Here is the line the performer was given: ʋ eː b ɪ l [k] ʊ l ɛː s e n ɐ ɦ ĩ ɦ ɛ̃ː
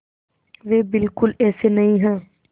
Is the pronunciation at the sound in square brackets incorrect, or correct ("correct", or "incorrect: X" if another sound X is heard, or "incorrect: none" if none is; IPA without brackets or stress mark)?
correct